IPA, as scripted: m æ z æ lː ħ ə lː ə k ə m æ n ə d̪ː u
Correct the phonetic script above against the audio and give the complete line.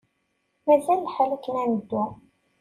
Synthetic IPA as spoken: m æ z æ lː ħ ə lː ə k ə n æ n ə d̪ː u